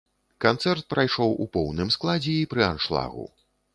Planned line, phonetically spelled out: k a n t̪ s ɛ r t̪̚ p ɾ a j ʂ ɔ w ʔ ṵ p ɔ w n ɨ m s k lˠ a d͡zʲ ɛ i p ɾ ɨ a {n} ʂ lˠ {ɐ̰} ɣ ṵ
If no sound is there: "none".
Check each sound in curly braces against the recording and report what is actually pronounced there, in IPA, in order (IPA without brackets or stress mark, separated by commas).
n, a̰